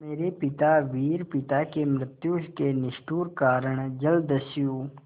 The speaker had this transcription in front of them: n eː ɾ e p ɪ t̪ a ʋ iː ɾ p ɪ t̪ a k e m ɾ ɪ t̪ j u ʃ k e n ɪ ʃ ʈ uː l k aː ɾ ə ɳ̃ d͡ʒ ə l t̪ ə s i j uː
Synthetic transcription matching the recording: m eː ɾ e p ɪ t̪ a ʋ iː ɾ p ɪ t̪ a k e m ɾ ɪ t̪ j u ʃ k e n ɪ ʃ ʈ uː ɾ k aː ɾ ə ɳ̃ d͡ʒ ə l d̪ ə s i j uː